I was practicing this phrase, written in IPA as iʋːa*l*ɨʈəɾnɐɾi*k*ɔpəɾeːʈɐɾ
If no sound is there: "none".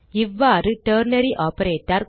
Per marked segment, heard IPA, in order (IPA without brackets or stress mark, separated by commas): ɾ, ʔ